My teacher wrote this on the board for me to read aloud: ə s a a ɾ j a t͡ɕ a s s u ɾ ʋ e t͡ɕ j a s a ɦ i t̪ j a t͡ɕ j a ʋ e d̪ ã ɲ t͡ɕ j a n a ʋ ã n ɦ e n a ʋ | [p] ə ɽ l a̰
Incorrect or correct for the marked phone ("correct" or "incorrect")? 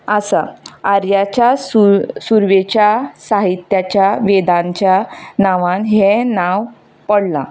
correct